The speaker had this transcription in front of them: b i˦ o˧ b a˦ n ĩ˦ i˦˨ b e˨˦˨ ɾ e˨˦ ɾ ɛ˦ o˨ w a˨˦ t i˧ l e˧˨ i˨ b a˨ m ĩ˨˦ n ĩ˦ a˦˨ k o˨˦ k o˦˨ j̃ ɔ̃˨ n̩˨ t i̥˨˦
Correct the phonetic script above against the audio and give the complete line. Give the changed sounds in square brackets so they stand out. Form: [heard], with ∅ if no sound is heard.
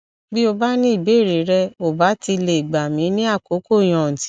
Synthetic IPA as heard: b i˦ o˧ b a˦ n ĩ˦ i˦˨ b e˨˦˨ ɾ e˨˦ ɾ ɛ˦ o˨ [b] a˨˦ t i˧ l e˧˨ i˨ [ɡ͡b] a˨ m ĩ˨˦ n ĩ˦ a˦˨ k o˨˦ k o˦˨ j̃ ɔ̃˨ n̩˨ t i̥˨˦